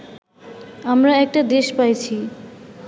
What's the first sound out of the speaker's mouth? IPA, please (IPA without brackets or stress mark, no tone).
a